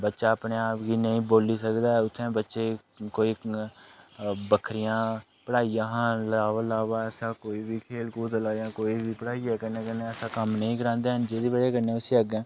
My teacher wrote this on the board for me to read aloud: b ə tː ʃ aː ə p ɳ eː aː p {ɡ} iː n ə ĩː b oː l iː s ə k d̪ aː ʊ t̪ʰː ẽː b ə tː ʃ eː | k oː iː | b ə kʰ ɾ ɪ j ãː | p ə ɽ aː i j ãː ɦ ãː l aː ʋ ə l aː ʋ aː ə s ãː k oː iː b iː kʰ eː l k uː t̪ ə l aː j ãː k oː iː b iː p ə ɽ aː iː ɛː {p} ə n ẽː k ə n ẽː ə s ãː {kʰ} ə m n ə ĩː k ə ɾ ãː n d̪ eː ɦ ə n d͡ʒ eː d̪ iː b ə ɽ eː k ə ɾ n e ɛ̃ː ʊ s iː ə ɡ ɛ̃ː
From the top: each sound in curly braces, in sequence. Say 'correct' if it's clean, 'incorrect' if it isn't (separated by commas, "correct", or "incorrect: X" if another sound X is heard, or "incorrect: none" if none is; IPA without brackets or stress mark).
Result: correct, incorrect: k, incorrect: k